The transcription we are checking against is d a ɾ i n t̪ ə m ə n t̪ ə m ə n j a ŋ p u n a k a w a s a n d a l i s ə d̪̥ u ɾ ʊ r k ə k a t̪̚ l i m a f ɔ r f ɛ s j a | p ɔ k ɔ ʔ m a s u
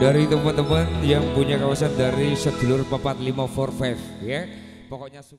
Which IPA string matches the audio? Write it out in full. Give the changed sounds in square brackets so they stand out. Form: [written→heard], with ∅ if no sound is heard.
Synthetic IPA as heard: d a ɾ i [n→∅] t̪ ə m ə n t̪ ə m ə n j a ŋ p u [n→ɲ] a k a w a s a n d a [l→ɾ] i s ə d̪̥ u [ɾ→l] ʊ r [k→p] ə [k→p] a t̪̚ l i m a f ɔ r f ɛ [s→f] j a | p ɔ k ɔ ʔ [m→ɲ] a s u